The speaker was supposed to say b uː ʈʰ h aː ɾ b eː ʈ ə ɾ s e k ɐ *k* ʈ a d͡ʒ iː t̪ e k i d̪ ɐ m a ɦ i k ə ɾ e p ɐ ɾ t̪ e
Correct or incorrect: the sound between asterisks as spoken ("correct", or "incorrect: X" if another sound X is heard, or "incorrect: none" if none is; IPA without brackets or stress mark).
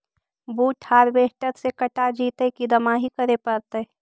incorrect: none